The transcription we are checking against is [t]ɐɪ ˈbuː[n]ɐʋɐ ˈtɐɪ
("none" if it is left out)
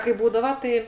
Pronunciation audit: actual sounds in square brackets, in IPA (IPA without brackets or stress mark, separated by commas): k, d